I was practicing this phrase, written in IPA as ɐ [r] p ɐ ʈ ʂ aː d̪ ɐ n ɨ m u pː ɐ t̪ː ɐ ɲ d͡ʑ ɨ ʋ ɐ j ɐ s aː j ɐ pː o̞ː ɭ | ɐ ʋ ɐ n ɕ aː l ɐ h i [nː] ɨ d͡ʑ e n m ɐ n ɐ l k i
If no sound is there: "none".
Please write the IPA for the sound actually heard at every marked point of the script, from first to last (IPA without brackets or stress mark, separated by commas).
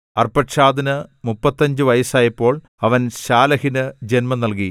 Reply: r, n